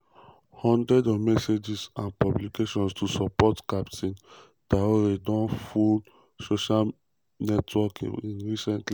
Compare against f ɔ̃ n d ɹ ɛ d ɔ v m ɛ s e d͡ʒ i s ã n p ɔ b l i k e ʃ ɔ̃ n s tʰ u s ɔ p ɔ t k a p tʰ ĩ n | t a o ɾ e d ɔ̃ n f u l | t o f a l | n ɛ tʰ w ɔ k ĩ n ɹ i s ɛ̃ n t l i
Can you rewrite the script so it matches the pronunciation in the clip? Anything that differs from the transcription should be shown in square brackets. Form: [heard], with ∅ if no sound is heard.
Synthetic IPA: [h] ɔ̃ n d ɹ ɛ d ɔ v m ɛ s e d͡ʒ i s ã n p ɔ b l i k e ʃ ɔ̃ n s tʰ u s ɔ p ɔ t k a p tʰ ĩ n | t a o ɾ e d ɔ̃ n f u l | [s] o [ʃ] a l | n ɛ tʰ w ɔ k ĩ n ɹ i s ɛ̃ n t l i